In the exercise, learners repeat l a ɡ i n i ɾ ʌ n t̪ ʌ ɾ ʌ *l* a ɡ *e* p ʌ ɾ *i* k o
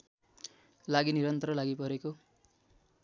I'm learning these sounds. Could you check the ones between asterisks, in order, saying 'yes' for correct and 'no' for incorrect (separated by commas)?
yes, no, no